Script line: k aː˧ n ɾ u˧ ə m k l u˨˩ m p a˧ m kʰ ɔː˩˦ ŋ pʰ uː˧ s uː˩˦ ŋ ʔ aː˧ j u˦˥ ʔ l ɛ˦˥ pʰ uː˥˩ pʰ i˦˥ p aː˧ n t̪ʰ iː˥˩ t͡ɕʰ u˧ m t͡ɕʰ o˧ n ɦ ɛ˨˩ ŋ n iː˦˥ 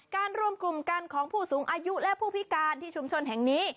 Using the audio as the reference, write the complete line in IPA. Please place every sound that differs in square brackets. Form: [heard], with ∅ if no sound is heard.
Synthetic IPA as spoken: k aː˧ n ɾ [u˥˩] ə m k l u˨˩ m [k] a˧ [n] kʰ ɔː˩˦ ŋ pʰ [uː˥˩] s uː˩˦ ŋ ʔ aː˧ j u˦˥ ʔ l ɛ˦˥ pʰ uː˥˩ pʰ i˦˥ [k] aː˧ n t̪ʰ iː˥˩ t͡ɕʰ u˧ m t͡ɕʰ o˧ n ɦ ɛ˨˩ ŋ n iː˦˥

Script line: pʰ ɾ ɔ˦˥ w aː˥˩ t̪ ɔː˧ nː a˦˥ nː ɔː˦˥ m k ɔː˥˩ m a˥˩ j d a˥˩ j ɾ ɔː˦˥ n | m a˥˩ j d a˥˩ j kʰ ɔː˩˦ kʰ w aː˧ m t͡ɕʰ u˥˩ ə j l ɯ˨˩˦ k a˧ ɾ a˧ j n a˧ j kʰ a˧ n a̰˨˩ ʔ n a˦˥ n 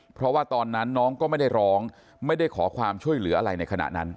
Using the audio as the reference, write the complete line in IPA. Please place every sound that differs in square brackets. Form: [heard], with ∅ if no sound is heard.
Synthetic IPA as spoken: pʰ ɾ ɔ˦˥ w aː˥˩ t̪ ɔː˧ nː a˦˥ nː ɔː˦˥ [ŋ] k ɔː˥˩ m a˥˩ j d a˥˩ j ɾ ɔː˦˥ [ŋ] | m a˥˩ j d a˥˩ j kʰ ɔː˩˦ kʰ w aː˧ m t͡ɕʰ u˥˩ ə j l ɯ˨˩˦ [ʔ] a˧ ɾ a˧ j n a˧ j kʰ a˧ n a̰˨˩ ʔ n a˦˥ n

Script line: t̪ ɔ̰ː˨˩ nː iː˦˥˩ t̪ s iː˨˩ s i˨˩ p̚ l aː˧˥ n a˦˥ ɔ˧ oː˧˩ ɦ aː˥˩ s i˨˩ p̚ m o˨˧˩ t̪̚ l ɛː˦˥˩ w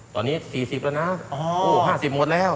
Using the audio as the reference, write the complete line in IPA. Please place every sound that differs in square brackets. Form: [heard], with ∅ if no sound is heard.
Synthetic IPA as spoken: t̪ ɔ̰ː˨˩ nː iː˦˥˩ [∅] s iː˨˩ s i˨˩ p̚ l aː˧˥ n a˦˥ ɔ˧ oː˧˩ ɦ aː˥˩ s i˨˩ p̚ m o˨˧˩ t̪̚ l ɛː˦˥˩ w

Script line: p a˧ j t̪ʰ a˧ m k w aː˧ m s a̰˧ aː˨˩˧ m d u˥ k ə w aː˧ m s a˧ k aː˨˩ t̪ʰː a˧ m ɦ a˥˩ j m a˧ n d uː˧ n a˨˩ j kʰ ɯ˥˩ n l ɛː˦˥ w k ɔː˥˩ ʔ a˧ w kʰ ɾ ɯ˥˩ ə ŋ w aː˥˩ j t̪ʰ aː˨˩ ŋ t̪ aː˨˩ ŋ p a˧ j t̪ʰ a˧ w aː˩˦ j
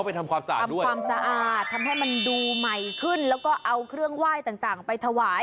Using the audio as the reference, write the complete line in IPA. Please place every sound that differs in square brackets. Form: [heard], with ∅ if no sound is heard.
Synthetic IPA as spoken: p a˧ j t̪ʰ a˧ m k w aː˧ m s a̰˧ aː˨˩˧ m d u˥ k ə w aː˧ m s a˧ [ʔ] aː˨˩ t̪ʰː a˧ m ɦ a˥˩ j m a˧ n d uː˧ [m] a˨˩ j kʰ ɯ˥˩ n l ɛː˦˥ w k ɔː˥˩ ʔ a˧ w kʰ ɾ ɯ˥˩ ə ŋ w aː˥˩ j [t̪] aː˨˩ ŋ t̪ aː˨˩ ŋ p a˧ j t̪ʰ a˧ w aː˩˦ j

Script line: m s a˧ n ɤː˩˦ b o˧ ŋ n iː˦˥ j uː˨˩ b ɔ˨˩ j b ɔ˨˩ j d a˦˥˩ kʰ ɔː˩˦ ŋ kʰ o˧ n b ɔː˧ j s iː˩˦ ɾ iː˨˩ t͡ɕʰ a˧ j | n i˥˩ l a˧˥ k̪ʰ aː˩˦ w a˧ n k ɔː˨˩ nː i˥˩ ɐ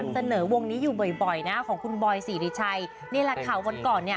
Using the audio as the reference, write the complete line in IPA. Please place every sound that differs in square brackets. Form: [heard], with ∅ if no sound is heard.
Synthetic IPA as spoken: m s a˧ n ɤː˩˦ [w] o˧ ŋ n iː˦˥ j uː˨˩ b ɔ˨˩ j b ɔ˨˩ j [n] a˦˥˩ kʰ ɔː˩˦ ŋ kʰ [u˧] n b ɔː˧ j s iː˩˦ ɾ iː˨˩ t͡ɕʰ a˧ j | n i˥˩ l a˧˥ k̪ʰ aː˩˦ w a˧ n k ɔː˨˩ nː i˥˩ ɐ

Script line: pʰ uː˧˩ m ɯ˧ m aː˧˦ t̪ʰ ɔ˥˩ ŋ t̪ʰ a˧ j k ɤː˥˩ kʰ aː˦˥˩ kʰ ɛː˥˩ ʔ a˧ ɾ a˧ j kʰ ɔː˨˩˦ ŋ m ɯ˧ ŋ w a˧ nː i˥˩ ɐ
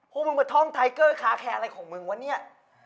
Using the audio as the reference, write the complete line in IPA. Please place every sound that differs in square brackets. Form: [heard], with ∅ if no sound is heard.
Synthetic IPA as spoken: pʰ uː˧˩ m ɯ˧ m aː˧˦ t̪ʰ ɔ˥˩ ŋ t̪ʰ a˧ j k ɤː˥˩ kʰ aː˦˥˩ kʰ [ɛː˧] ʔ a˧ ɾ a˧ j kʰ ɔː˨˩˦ ŋ m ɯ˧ ŋ w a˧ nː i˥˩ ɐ

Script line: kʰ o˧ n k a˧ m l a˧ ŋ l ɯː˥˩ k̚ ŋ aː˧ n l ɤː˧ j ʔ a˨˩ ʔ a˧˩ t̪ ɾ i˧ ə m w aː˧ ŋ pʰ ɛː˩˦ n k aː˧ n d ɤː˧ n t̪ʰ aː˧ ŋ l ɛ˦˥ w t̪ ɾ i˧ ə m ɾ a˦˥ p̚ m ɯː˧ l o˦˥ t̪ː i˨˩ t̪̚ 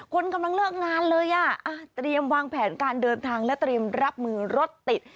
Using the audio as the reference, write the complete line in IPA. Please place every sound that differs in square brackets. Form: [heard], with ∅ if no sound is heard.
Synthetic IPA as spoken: kʰ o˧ n k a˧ m l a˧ ŋ l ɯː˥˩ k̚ ŋ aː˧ n l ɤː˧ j ʔ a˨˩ ʔ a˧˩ t̪ ɾ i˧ ə m w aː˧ ŋ pʰ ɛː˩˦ n k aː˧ n d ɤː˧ n t̪ʰ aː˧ ŋ l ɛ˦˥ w t̪ ɾ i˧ ə m ɾ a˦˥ p̚ m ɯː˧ [ɾ] o˦˥ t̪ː i˨˩ t̪̚

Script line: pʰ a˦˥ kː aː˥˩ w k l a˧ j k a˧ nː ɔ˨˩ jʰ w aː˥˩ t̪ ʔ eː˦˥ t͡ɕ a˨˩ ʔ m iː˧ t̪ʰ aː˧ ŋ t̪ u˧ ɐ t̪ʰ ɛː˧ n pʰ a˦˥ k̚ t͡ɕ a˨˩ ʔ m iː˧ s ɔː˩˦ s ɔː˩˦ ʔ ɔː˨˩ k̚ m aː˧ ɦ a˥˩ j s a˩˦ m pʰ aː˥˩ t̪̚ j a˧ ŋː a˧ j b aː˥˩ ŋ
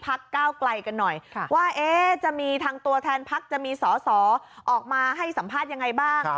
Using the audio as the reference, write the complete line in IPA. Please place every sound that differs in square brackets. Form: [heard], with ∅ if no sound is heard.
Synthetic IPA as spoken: pʰ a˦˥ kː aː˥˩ w k l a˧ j k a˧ nː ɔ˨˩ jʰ w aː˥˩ [∅] ʔ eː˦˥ t͡ɕ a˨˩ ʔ m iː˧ t̪ʰ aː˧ ŋ t̪ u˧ ɐ t̪ʰ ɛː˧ n pʰ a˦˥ k̚ t͡ɕ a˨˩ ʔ m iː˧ s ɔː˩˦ s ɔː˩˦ ʔ ɔː˨˩ k̚ m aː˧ ɦ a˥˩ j s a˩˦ m pʰ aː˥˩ t̪̚ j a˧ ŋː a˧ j b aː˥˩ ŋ

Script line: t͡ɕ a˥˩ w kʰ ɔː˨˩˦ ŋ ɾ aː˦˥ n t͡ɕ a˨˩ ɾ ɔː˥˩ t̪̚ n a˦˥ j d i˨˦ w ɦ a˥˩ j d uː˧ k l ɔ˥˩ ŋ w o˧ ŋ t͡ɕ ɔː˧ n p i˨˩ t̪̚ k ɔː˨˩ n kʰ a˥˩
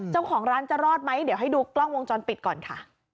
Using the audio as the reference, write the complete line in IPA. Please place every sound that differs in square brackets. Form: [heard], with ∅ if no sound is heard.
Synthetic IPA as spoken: t͡ɕ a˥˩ w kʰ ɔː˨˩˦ ŋ ɾ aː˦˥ n t͡ɕ a˨˩ ɾ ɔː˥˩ t̪̚ [m] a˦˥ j d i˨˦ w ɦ a˥˩ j d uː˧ k l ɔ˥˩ ŋ w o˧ ŋ t͡ɕ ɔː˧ n p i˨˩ t̪̚ k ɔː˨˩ n kʰ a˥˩

